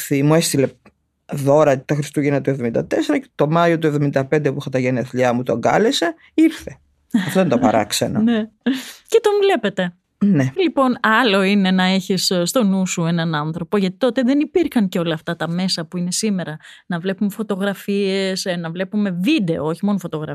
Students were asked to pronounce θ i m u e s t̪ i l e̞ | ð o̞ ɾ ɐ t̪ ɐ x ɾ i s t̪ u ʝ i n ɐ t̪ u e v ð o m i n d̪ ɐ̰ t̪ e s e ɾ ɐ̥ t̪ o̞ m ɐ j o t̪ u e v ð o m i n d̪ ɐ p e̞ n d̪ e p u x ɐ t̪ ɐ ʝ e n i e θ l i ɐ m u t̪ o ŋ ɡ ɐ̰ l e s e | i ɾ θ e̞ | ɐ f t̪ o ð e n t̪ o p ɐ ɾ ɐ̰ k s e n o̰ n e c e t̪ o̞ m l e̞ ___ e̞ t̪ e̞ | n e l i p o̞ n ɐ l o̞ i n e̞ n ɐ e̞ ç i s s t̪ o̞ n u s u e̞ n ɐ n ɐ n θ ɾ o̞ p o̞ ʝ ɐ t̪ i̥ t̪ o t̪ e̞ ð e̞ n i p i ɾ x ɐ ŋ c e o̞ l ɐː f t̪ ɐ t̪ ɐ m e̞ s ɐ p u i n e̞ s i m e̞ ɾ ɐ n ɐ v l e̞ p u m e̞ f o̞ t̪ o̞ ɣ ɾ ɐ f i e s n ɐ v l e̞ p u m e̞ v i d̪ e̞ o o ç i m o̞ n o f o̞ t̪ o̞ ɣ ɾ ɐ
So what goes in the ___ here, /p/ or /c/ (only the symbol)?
p